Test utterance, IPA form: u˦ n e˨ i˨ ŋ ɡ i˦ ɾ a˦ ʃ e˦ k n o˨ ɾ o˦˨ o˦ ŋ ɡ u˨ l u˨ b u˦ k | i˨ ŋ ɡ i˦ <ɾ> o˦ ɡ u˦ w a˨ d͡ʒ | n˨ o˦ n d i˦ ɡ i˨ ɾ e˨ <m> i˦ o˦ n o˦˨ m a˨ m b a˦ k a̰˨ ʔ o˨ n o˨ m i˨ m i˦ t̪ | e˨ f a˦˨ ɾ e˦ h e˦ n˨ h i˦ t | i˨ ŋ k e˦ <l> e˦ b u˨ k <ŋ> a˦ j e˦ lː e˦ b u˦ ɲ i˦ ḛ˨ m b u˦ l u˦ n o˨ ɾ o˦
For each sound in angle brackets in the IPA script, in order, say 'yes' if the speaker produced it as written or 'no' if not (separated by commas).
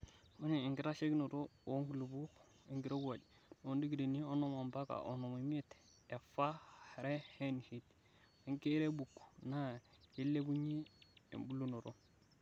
yes, no, no, no